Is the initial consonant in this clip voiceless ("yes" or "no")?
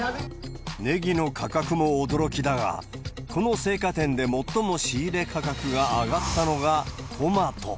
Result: no